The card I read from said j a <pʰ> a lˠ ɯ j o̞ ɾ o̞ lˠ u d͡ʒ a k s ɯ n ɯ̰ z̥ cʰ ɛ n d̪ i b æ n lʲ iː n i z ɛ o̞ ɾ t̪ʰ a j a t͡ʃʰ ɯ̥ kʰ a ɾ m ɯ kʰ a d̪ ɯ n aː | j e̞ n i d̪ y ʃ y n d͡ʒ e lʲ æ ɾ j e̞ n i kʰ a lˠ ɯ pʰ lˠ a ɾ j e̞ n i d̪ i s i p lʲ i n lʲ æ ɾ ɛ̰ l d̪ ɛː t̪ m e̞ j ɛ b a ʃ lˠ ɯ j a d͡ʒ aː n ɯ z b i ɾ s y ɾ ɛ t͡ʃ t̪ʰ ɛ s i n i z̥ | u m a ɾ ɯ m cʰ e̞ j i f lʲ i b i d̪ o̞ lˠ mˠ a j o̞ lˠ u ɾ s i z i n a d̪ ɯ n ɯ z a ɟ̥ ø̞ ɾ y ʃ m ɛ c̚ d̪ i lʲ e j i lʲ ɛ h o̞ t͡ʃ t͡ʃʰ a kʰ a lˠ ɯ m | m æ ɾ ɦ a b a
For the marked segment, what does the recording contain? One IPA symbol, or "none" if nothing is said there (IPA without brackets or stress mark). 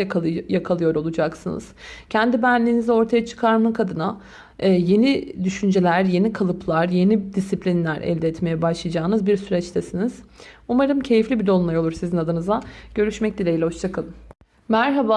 kʰ